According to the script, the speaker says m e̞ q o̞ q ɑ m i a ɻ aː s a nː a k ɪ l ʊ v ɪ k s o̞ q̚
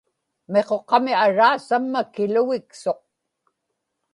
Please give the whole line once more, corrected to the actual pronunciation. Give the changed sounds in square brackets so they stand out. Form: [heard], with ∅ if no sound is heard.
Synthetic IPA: m e̞ q o̞ q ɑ m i a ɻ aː s a [mː] a k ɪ l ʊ [ɣ] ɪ k s o̞ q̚